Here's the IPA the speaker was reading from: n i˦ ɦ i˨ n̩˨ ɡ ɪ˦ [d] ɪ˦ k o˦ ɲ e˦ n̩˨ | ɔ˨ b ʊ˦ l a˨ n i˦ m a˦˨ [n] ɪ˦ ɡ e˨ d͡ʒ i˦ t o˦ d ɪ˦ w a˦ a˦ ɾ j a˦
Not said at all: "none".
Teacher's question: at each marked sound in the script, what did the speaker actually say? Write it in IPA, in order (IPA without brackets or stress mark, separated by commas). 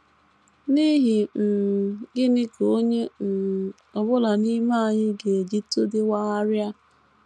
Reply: n, ɲ